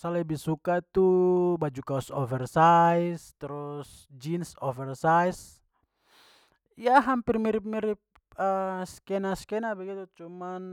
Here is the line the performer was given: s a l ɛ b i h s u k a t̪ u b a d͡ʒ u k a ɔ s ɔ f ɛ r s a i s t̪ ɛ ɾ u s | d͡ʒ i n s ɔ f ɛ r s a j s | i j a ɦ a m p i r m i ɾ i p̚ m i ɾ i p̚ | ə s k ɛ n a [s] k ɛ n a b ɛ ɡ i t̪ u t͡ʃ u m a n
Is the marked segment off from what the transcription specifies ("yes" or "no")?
no